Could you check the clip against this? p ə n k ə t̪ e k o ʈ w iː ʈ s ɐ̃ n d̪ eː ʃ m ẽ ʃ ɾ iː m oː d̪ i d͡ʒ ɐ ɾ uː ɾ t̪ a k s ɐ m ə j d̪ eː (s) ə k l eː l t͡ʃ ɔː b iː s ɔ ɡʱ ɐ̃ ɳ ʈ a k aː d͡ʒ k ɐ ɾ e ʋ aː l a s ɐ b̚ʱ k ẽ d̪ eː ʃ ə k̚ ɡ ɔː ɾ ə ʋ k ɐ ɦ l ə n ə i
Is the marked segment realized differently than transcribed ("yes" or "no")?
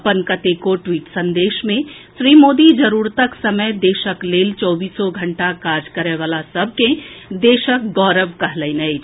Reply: yes